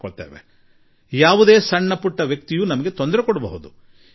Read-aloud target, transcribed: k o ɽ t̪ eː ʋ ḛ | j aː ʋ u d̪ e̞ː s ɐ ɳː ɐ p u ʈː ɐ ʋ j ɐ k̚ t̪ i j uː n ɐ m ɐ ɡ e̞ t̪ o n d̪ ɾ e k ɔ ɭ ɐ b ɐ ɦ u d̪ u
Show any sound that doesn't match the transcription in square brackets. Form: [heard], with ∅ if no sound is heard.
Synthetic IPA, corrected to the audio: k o [ɭ] t̪ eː ʋ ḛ | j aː ʋ u d̪ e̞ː s ɐ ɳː ɐ p u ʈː ɐ ʋ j ɐ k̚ t̪ i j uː n ɐ m ɐ ɡ e̞ t̪ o n d̪ ɾ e k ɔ [ɽ] ɐ b ɐ ɦ u d̪ u